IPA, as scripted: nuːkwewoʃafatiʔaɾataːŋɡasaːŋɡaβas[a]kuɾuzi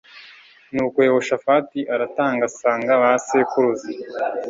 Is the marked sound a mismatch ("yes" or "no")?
yes